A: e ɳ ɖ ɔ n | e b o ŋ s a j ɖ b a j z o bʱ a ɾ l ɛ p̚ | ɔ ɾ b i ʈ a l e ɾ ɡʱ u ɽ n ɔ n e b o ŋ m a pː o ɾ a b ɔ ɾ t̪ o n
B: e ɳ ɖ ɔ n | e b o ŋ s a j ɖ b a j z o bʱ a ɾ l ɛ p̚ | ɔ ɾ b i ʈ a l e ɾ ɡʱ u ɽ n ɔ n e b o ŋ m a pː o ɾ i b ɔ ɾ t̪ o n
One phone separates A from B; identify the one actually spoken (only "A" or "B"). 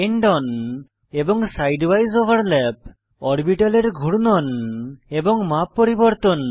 B